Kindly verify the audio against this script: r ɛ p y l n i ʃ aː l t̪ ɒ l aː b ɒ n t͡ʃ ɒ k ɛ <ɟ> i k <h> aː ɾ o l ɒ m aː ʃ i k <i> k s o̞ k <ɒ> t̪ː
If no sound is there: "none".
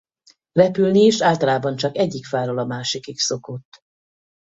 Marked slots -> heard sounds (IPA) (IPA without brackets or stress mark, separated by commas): ɟː, f, i, o